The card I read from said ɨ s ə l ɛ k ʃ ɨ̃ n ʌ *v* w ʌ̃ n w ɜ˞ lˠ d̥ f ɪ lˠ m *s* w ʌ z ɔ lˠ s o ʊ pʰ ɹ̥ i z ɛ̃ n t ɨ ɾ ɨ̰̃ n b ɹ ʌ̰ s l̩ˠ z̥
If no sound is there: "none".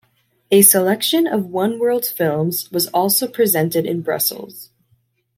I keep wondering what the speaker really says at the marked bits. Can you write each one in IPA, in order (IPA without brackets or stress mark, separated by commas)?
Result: v, z